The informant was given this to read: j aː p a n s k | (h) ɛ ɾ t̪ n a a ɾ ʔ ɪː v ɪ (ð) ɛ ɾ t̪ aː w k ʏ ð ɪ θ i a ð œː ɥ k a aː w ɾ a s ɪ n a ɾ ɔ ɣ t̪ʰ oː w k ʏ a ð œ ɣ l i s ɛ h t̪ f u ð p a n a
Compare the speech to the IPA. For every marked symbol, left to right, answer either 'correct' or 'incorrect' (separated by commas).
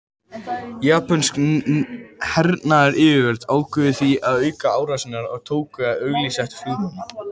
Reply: correct, incorrect